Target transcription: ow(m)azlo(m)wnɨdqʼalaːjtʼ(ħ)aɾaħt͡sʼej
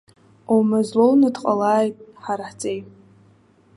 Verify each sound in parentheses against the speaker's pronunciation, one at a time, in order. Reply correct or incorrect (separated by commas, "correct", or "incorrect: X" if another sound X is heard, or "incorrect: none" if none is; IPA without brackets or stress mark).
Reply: correct, incorrect: none, correct